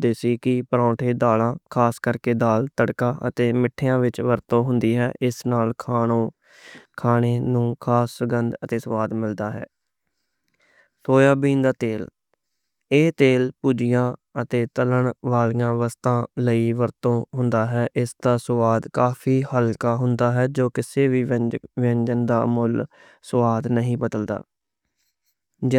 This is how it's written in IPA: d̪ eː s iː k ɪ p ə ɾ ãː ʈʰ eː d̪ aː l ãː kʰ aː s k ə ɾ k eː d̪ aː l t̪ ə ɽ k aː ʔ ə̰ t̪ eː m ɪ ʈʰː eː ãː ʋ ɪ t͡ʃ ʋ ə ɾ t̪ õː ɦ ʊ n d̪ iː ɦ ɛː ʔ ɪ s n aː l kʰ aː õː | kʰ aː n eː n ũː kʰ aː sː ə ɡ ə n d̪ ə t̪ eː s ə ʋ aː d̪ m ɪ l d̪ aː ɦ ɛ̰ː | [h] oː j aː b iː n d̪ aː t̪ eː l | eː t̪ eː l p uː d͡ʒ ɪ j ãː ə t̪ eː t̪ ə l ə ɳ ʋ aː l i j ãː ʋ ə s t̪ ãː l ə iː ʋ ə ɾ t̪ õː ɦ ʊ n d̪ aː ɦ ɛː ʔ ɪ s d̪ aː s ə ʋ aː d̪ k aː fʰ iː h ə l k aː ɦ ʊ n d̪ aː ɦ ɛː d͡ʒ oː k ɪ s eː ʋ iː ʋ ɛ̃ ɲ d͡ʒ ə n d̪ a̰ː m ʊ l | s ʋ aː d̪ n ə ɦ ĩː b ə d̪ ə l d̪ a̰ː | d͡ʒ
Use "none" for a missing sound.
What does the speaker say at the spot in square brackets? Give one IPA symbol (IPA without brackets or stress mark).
s